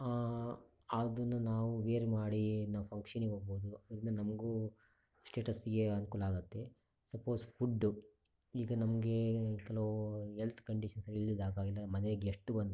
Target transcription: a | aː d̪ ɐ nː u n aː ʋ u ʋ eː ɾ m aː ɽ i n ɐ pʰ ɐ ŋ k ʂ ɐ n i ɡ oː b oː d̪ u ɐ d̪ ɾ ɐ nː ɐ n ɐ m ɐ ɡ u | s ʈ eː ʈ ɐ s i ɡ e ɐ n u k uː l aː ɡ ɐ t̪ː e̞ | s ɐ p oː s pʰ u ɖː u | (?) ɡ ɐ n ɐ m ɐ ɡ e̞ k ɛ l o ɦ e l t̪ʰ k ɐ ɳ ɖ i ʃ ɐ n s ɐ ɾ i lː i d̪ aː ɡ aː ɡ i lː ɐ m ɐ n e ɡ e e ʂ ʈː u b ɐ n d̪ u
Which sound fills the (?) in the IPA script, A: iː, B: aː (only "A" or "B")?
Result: A